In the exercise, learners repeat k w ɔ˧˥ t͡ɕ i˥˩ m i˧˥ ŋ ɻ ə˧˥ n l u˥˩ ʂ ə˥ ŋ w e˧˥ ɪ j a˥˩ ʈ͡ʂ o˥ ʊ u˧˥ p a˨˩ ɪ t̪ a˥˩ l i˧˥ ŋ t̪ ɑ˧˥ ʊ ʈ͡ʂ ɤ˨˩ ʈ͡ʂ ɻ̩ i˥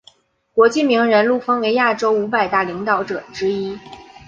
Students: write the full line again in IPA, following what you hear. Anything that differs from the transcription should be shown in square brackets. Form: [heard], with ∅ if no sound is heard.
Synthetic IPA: k w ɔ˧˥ t͡ɕ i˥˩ m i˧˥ ŋ ɻ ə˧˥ n l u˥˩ [f] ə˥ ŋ w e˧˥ ɪ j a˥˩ ʈ͡ʂ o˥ ʊ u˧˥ p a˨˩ ɪ t̪ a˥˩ l i˧˥ ŋ t̪ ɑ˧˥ ʊ ʈ͡ʂ ɤ˨˩ ʈ͡ʂ ɻ̩ i˥